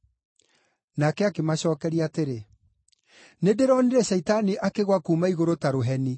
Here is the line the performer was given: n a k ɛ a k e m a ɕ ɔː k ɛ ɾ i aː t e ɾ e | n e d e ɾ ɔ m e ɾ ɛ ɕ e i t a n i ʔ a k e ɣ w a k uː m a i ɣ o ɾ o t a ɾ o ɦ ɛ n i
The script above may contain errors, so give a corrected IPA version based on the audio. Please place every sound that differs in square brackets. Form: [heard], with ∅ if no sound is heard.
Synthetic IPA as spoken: n a k ɛ a k e m a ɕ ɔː k ɛ ɾ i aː t e ɾ e | n e d e ɾ ɔ [n] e ɾ ɛ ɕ [ɛ] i t a n i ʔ a k e ɣ w a k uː m a i ɣ o ɾ o t a ɾ o ɦ ɛ n i